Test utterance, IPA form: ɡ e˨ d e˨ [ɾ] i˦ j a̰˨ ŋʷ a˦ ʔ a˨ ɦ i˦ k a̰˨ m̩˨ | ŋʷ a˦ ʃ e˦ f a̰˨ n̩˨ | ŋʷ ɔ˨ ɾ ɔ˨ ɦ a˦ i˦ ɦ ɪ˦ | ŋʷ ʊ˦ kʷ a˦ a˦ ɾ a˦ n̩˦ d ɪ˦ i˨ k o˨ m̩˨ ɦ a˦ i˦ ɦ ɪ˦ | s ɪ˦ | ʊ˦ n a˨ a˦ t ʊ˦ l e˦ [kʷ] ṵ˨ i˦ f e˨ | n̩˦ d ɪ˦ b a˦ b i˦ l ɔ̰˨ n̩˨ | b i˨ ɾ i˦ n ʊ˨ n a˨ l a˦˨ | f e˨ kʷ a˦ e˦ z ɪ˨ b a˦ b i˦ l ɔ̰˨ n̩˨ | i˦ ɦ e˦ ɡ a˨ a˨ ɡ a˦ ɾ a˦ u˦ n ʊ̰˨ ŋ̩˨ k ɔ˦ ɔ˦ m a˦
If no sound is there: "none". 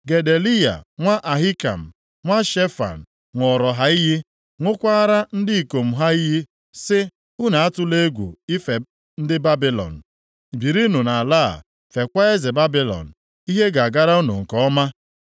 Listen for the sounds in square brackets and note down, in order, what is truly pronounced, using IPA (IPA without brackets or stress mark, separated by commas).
l, ɡʷ